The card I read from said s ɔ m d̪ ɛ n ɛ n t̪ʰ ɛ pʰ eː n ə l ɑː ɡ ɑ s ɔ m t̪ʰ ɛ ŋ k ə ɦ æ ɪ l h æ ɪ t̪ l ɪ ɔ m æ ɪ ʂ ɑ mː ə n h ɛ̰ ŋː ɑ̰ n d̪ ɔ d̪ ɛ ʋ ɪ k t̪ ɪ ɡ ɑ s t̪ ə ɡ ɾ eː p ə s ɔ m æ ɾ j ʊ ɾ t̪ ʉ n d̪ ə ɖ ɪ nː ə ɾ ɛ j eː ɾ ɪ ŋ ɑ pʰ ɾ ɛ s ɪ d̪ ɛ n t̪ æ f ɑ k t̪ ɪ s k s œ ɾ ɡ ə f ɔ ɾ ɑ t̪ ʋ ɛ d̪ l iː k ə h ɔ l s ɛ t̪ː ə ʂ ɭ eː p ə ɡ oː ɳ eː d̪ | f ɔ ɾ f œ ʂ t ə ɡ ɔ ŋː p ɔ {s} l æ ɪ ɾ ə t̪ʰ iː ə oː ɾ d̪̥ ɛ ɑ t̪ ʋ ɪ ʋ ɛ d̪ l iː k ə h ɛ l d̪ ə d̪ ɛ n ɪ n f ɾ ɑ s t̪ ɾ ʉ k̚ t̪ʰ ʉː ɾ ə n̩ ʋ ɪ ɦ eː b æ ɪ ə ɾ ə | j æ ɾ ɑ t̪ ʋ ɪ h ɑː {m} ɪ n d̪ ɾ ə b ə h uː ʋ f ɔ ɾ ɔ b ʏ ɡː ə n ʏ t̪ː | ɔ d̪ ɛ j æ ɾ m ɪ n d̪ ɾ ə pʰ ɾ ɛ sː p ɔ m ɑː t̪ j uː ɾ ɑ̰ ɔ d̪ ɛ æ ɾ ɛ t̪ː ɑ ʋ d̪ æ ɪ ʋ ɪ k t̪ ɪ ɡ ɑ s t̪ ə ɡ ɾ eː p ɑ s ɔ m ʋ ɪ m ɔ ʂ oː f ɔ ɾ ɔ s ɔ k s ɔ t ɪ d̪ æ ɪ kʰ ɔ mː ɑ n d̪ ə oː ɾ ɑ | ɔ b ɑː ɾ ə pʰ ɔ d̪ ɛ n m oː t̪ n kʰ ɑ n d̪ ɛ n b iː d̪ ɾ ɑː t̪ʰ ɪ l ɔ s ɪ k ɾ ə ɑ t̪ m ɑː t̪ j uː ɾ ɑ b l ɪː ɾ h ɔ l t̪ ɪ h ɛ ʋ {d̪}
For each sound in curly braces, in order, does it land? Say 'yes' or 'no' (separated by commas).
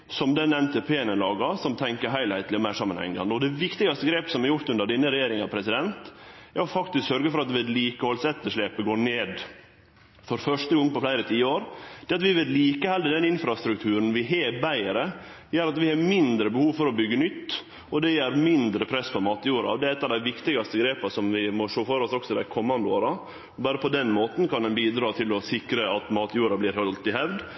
no, yes, yes